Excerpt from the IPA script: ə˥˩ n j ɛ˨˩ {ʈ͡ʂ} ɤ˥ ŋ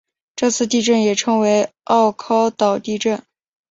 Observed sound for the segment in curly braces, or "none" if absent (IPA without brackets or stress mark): ʈ͡ʂʰ